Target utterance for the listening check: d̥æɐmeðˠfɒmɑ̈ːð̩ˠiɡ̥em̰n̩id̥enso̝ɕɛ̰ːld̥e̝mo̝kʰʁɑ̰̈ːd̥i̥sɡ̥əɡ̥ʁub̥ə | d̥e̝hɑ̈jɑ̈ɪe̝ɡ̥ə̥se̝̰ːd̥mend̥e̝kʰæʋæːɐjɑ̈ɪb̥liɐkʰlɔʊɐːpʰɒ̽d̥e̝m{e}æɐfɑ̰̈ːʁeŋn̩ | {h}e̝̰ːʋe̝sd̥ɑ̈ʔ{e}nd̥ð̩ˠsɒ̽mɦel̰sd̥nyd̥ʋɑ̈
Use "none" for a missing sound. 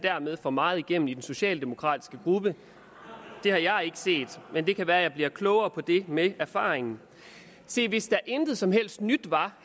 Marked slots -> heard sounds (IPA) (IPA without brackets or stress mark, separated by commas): e, s, e